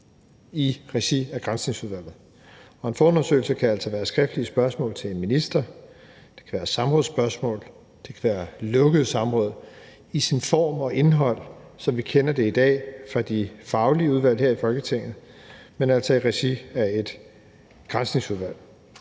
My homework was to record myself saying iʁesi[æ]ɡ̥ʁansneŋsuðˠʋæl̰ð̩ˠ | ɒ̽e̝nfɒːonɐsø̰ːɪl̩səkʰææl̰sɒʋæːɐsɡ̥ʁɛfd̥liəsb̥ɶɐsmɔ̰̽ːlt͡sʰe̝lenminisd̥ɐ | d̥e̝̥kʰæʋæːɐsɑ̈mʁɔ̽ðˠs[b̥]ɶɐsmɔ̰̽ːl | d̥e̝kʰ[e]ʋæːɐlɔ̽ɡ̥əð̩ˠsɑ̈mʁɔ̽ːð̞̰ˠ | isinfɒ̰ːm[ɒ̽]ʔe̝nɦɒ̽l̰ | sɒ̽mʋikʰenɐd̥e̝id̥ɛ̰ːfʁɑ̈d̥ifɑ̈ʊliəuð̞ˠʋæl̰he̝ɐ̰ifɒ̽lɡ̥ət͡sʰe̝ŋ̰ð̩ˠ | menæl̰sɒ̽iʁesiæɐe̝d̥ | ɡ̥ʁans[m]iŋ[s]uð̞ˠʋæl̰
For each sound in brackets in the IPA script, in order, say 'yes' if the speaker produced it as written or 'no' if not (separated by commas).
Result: yes, yes, no, yes, no, yes